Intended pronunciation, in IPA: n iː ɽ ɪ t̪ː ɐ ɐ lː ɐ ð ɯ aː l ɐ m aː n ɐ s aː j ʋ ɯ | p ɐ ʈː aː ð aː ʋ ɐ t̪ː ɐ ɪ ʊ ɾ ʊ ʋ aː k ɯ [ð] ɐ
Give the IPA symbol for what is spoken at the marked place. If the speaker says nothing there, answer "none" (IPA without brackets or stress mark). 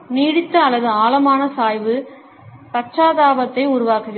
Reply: ɣ